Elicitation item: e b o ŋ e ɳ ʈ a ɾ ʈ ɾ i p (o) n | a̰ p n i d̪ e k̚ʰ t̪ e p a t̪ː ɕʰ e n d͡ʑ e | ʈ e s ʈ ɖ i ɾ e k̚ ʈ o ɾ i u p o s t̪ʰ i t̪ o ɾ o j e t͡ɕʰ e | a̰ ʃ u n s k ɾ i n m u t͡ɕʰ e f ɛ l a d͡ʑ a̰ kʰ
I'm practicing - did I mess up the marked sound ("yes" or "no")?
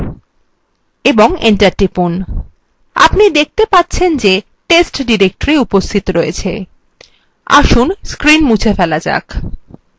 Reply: yes